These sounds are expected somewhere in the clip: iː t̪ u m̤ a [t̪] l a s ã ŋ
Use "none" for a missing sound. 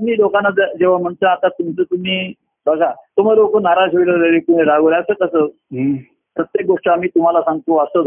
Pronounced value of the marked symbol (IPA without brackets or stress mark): none